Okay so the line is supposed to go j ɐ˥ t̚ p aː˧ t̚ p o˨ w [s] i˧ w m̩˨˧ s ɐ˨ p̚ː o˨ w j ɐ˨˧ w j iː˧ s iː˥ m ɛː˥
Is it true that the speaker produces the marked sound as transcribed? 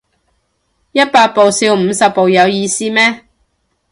yes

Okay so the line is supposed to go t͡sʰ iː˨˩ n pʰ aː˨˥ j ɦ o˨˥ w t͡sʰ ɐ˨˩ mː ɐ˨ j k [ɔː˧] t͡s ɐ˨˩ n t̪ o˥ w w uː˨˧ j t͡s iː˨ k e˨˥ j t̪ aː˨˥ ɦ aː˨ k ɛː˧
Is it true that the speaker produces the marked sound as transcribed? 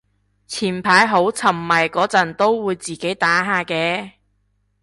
no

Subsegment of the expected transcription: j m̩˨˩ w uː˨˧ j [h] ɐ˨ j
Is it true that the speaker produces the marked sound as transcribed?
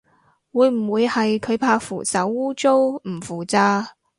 yes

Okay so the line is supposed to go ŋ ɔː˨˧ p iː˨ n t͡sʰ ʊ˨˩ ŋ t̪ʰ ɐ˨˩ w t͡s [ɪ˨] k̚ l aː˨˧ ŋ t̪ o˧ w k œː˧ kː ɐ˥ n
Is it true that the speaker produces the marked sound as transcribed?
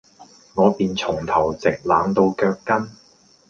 yes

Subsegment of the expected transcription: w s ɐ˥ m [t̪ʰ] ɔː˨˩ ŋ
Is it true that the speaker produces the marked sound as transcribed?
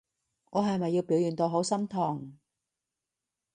yes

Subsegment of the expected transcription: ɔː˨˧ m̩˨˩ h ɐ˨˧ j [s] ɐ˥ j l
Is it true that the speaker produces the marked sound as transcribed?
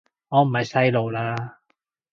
yes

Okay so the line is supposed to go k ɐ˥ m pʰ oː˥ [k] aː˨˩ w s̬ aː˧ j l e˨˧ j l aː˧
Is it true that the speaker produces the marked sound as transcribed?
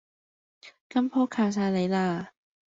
no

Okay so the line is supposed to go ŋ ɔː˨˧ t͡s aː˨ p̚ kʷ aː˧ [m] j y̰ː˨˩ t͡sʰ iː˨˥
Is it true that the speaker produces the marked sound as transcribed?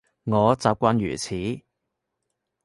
no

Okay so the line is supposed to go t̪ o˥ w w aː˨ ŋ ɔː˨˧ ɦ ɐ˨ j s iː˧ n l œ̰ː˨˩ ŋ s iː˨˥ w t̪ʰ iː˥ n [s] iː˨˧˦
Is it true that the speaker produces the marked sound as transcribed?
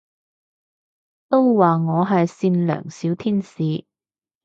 yes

